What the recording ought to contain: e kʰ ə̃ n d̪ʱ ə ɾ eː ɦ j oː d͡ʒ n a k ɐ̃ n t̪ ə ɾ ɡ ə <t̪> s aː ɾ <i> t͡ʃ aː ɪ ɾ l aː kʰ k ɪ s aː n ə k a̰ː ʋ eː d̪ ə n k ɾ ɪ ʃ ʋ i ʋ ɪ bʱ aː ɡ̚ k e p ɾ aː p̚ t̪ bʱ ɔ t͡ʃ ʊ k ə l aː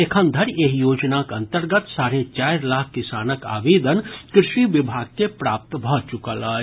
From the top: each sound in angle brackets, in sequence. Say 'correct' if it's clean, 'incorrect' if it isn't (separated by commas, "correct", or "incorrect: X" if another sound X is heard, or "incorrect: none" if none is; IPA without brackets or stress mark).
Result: correct, incorrect: e